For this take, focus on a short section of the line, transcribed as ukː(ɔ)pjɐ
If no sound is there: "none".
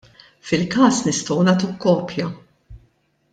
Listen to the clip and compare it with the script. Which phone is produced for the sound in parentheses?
ɔː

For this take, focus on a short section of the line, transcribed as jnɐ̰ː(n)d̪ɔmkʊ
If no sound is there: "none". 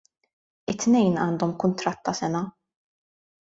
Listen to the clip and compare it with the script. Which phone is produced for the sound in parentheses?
n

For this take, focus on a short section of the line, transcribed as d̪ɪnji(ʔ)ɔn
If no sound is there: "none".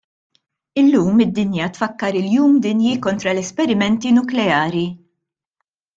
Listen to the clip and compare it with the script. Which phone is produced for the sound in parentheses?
k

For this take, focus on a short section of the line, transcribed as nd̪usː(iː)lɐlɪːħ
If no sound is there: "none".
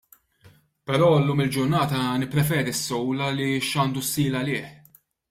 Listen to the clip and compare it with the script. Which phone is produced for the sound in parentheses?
iː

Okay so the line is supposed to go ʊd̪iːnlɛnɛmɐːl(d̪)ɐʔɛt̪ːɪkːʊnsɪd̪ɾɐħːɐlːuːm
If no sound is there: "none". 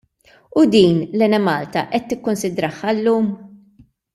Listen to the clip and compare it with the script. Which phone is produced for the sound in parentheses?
t̪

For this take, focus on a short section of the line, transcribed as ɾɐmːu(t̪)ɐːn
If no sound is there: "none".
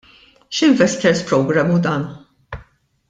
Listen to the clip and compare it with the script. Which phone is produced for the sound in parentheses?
d̪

